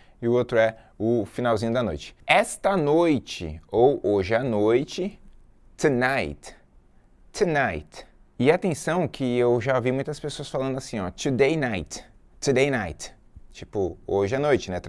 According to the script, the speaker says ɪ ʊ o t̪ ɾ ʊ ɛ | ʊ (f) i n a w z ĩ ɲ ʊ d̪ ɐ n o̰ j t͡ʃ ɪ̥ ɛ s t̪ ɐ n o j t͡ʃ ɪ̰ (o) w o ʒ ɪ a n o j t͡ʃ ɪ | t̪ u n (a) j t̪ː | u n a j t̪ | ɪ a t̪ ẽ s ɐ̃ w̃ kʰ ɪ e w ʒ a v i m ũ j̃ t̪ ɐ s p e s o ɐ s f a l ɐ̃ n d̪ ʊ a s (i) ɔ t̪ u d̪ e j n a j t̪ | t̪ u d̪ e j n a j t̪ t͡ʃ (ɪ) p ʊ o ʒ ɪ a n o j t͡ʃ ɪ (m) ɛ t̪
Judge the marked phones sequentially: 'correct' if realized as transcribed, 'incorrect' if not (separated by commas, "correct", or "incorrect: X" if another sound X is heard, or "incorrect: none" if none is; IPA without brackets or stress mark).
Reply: correct, correct, correct, incorrect: ĩ, incorrect: i, incorrect: n